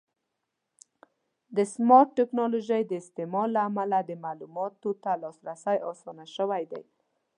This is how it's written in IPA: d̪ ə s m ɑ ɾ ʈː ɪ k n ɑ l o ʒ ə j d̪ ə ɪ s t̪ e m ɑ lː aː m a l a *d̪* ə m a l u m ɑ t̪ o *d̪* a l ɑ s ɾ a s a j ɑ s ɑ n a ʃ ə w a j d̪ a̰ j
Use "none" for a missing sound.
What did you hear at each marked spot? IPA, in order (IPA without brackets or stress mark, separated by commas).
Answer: d̪, t̪